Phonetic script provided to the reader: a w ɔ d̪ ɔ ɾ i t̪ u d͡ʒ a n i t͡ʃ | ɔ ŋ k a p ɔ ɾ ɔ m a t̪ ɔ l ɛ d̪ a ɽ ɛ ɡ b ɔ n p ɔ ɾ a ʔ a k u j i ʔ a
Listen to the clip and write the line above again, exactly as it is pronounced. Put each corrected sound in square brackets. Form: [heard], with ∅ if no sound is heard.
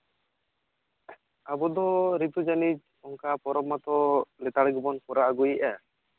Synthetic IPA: a [b] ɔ d̪ ɔ ɾ i t̪ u d͡ʒ a n i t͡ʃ | ɔ ŋ k a p ɔ ɾ ɔ m a t̪ ɔ l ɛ [t̪] a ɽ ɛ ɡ b ɔ n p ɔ ɾ a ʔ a [ɡ] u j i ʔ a